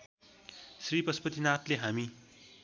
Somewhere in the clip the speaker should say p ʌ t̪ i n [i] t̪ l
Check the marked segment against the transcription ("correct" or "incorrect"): incorrect